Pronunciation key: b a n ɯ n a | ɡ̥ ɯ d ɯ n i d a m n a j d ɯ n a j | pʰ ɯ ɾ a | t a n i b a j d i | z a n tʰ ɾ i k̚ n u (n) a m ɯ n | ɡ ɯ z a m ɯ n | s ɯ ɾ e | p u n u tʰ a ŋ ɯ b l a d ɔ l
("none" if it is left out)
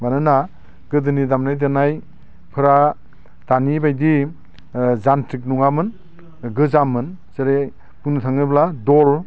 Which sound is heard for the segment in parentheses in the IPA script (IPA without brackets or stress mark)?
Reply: ŋ